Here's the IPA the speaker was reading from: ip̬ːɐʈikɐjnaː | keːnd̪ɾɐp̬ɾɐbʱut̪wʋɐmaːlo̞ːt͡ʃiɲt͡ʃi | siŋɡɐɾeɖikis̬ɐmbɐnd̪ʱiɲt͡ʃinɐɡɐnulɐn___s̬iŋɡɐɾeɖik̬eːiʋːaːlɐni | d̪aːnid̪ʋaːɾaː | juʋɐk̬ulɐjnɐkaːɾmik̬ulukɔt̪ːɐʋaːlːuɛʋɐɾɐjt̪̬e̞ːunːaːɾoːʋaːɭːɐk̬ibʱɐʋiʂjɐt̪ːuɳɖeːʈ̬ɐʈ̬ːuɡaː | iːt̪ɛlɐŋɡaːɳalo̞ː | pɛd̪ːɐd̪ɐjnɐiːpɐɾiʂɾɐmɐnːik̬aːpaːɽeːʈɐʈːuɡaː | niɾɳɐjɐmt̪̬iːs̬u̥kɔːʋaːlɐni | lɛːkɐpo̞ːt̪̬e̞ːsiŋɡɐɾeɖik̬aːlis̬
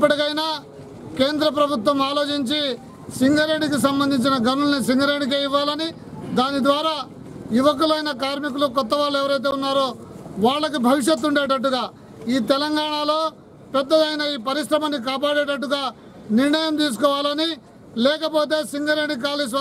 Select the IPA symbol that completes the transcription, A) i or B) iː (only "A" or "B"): A